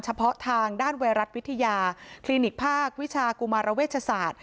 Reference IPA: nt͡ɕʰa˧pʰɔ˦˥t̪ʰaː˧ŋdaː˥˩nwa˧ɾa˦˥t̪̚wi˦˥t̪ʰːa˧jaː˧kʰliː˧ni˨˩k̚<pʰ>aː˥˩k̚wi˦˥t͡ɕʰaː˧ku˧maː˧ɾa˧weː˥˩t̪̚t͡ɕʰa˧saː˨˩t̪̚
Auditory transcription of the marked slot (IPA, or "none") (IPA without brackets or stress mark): pʰ